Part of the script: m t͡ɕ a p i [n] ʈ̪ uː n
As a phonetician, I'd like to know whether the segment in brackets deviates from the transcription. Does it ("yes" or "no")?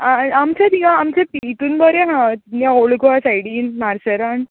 yes